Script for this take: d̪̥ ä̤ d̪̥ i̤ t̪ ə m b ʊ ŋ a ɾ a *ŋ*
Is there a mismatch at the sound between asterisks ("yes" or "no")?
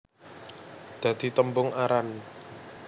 yes